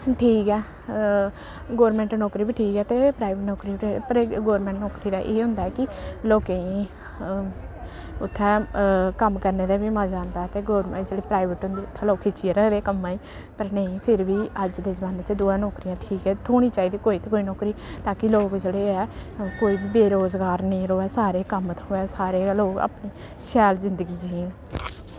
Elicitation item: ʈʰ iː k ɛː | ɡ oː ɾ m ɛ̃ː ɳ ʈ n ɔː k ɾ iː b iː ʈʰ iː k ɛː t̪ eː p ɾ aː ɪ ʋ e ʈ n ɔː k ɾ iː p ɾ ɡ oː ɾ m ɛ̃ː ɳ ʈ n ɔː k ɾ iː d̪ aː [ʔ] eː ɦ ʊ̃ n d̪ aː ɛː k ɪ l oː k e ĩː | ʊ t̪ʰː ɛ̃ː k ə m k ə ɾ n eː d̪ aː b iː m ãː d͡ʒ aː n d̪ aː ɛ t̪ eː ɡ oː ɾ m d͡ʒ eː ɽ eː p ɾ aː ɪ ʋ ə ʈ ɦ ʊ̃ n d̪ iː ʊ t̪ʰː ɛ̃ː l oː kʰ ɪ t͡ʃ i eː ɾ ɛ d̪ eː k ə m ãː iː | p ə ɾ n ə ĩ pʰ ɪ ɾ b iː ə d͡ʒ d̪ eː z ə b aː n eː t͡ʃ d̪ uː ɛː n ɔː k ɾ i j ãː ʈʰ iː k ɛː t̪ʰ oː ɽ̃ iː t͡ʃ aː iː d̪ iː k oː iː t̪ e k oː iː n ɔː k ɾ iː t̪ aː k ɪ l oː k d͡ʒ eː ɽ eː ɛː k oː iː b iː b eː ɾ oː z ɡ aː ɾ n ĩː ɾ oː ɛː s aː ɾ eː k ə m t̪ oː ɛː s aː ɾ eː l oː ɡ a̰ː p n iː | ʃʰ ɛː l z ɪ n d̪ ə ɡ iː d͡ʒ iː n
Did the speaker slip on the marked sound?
no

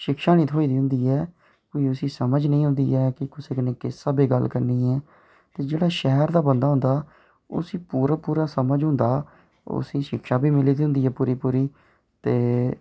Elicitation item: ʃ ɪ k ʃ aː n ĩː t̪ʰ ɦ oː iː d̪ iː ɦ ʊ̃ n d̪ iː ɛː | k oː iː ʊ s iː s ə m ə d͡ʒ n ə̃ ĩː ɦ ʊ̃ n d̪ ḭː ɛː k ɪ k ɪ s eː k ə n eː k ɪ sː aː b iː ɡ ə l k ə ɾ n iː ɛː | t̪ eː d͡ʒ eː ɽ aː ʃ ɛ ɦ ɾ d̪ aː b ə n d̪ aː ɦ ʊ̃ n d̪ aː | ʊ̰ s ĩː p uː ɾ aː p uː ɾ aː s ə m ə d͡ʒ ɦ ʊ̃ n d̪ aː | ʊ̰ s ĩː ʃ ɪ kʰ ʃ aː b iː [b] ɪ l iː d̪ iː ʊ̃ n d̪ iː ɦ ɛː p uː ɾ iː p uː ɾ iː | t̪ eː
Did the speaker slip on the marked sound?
yes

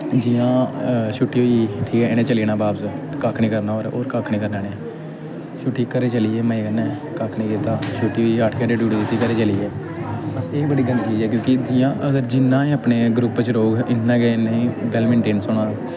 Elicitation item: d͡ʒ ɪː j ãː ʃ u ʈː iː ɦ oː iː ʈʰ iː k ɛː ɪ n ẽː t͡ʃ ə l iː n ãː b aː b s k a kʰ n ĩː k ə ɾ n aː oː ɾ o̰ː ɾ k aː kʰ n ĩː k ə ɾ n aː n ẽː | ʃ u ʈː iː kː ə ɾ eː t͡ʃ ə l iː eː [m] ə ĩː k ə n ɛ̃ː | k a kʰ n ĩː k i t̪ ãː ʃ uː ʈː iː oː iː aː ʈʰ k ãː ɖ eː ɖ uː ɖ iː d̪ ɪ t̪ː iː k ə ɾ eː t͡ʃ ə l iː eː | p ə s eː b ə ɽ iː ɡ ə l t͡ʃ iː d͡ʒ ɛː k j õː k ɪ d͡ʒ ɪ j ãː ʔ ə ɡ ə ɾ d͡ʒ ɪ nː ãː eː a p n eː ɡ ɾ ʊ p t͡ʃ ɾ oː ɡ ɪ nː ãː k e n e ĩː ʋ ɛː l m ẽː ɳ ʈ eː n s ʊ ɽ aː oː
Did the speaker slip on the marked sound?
no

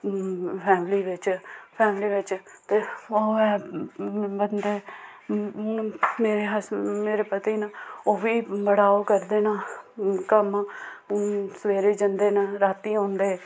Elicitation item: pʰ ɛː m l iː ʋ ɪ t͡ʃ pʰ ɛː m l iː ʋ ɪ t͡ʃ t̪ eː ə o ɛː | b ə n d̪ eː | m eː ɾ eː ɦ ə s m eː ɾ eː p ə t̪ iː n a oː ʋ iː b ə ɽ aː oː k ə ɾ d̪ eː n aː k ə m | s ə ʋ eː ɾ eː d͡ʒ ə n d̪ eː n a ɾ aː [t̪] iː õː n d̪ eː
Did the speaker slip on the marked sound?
no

